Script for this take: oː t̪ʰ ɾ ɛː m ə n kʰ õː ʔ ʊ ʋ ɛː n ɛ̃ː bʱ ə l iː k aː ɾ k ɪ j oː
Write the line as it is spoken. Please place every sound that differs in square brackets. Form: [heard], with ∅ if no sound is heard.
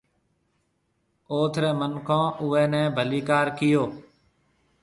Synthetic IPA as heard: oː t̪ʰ ɾ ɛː m ə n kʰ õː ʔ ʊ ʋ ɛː n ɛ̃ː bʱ ə l iː k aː ɾ k ɪ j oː

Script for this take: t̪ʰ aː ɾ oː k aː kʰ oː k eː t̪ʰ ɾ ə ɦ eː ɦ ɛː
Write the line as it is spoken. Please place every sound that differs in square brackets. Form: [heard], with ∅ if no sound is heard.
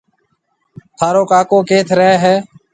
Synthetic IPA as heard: t̪ʰ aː ɾ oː k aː [k] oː k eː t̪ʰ ɾ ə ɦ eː ɦ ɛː

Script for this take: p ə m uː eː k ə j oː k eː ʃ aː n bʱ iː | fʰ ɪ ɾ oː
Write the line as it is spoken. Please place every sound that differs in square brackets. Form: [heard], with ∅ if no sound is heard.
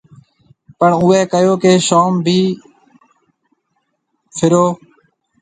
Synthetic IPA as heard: p ə [ɳ] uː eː k ə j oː k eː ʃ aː [m] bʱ iː | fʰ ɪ ɾ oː

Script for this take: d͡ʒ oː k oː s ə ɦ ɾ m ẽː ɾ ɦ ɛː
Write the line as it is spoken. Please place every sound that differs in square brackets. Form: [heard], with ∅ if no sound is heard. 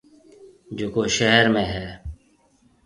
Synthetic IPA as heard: d͡ʒ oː k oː [ʃ] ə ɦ ɾ m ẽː [∅] ɦ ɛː

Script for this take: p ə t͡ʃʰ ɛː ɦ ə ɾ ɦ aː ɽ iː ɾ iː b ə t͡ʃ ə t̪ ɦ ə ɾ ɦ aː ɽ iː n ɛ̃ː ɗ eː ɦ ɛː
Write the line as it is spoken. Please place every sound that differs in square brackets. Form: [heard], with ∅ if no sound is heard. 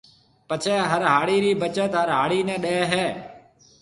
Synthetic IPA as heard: p ə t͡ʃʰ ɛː ɦ ə ɾ ɦ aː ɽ iː ɾ iː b ə t͡ʃ ə t̪ ɦ ə ɾ ɦ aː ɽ iː n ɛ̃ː ɗ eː ɦ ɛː

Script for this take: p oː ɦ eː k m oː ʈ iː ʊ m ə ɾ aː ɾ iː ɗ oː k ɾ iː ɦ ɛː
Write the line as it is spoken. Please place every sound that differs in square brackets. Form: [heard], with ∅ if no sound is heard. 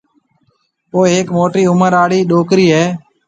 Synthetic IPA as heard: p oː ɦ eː k m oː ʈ iː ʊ m ə ɾ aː [ɽ] iː ɗ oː k ɾ iː ɦ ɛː

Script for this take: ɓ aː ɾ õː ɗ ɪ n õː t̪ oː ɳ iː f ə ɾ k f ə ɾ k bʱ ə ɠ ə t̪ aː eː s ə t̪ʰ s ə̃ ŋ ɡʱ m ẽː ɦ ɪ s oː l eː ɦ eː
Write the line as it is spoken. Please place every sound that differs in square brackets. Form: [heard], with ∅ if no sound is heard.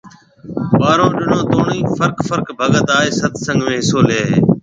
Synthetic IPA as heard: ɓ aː ɾ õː ɗ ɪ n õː t̪ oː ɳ iː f ə ɾ k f ə ɾ k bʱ ə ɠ ə t̪ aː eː s ə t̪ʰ s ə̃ ŋ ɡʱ m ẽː ɦ ɪ s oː l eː ɦ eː

